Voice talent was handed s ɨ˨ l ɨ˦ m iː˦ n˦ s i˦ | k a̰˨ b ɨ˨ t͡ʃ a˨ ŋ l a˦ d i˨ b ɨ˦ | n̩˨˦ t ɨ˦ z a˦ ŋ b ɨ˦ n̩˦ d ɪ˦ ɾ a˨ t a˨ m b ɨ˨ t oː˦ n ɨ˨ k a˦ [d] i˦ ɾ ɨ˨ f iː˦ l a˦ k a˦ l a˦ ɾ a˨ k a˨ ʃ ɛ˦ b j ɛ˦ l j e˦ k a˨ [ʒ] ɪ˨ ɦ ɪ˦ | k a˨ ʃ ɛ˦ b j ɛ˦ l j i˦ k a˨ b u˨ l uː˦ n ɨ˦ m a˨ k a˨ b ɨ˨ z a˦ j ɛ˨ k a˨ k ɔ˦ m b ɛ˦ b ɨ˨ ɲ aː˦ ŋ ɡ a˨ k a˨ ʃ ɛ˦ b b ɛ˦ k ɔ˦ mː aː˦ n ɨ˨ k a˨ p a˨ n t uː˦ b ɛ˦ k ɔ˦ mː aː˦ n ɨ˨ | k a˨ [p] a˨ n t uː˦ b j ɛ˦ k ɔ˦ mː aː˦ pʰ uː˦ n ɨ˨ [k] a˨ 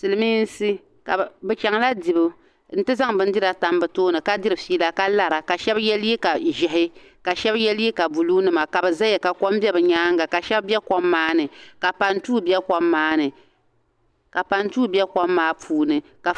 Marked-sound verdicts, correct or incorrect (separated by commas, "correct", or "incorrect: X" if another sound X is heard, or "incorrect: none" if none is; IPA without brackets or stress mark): correct, correct, correct, correct